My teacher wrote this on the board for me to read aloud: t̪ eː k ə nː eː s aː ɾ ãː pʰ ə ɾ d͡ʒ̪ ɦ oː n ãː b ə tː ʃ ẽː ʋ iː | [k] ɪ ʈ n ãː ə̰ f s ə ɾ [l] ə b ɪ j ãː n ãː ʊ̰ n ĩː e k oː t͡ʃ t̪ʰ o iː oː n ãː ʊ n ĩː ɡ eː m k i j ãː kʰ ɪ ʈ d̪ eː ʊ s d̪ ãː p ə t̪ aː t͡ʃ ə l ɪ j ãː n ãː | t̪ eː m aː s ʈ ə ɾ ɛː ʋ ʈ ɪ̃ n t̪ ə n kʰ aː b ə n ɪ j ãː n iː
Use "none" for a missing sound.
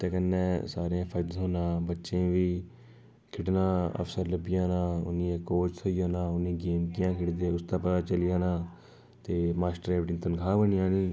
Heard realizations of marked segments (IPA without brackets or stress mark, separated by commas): kʰ, l